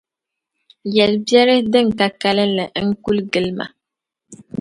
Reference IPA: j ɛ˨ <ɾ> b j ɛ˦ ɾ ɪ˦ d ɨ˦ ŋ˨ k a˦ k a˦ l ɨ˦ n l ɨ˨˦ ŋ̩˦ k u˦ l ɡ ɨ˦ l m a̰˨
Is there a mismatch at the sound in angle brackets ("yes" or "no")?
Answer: yes